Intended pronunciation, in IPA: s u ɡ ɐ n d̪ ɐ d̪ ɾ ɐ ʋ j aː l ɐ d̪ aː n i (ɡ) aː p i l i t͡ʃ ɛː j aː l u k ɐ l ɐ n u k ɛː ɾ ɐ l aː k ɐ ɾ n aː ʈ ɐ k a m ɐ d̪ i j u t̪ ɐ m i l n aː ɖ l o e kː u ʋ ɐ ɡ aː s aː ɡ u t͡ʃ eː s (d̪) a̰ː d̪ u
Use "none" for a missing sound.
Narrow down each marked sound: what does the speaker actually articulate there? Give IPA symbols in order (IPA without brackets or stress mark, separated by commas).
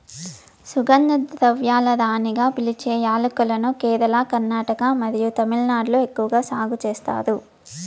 ɡ, t̪